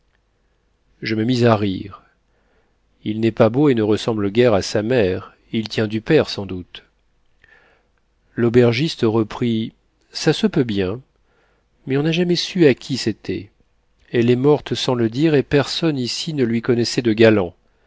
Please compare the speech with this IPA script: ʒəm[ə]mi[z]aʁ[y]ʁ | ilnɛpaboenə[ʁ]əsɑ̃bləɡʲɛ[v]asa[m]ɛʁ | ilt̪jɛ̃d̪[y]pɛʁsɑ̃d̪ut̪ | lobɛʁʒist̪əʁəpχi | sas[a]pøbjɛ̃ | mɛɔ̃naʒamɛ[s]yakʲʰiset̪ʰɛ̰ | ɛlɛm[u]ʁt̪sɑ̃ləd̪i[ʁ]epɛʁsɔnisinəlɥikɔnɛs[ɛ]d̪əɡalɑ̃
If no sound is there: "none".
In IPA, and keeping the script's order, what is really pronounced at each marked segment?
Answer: ə, z, i, ʁ, ʁ, m, y, ə, s, ɔ, ʁ, ɛ

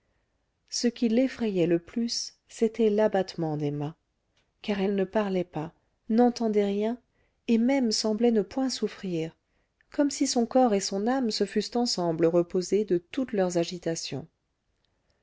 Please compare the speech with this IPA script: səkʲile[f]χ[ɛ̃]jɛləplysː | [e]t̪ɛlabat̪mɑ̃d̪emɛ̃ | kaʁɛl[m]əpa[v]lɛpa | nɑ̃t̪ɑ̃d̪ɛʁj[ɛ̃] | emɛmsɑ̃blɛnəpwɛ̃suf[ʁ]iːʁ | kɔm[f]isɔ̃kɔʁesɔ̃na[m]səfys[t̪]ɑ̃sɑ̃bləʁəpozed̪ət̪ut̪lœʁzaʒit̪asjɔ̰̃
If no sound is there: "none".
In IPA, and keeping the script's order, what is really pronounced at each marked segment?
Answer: f, ɛ, e, n, ʁ, ɛ̃, χ, s, m, t̪

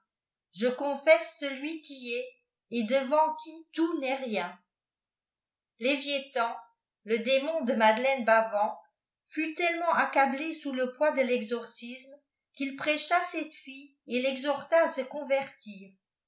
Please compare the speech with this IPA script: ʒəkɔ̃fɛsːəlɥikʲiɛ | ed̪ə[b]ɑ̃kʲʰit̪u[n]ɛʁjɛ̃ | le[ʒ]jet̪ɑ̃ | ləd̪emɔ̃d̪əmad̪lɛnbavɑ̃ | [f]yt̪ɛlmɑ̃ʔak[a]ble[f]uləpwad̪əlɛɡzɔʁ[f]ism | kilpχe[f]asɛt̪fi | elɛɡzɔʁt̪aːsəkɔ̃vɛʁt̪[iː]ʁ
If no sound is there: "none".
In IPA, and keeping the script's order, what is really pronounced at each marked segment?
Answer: v, n, v, f, a, s, s, ʃ, iː

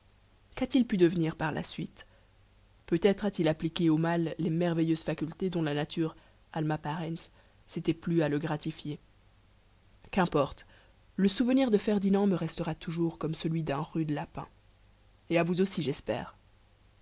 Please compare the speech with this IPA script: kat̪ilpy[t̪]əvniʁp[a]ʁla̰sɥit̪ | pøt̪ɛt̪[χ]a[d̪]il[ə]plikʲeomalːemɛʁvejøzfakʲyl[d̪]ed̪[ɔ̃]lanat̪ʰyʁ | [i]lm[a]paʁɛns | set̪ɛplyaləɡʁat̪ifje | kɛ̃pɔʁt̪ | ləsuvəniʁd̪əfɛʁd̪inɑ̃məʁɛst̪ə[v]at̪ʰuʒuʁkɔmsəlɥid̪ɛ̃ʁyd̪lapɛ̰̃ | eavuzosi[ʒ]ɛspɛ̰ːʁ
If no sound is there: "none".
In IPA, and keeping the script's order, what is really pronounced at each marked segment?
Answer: d̪, a, χ, t̪, a, t̪, ɔ̃, a, a, ʁ, ʒ

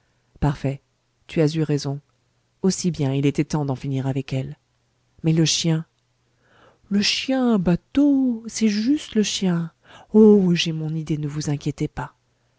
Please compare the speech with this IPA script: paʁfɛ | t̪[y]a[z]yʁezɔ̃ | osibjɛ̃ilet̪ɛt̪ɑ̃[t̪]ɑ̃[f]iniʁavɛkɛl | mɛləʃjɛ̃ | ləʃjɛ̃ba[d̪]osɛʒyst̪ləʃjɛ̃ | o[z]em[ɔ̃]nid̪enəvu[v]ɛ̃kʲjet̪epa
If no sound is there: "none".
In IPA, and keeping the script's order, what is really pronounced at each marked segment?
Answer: y, z, d̪, f, t̪, ʒ, ɔ̃, z

